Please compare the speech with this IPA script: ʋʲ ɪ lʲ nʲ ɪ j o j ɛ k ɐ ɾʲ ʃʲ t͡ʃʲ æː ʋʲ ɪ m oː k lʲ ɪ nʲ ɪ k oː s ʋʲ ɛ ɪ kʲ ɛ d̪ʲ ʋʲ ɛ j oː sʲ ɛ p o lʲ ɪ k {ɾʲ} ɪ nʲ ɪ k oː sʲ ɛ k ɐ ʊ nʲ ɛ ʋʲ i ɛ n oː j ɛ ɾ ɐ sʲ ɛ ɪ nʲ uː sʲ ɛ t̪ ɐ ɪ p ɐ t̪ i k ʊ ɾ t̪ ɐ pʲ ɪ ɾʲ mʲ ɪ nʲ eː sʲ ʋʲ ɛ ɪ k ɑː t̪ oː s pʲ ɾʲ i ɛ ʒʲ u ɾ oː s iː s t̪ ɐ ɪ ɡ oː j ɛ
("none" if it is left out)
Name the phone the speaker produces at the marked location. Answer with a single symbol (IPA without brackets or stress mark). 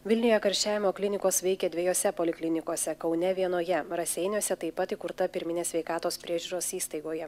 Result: lʲ